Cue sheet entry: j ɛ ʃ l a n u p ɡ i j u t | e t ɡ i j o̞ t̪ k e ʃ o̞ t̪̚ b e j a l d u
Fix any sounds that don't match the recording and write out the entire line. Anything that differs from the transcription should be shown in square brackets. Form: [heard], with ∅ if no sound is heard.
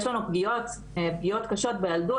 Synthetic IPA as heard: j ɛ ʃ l a n u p ɡ i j [o] t | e [p] ɡ i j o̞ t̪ k [a] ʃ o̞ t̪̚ b e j a l d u